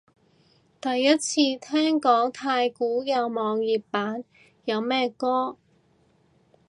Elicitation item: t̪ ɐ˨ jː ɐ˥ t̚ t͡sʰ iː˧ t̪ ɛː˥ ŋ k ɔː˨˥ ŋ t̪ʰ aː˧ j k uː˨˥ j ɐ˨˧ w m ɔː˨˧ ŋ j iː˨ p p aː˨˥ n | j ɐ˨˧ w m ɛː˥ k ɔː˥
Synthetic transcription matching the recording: t̪ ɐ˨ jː ɐ˥ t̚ t͡sʰ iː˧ t̪ʰ ɛː˥ ŋ k ɔː˨˥ ŋ t̪ʰ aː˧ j k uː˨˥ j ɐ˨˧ w m ɔː˨˧ ŋ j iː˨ p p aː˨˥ n | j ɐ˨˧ w m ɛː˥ k ɔː˥